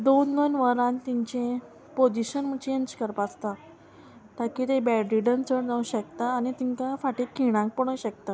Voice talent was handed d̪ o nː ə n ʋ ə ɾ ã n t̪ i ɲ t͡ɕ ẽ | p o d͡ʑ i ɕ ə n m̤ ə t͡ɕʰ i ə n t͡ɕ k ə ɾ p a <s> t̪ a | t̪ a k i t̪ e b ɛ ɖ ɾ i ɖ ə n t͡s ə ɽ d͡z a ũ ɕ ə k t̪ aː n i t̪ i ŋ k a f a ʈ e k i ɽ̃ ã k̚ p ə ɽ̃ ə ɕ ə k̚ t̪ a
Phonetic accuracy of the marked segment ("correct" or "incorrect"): correct